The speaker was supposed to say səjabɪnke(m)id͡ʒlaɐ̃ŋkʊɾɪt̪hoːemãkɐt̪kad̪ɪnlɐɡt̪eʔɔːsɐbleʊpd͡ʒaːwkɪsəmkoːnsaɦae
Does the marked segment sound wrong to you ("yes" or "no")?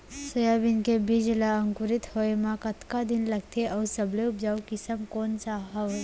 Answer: yes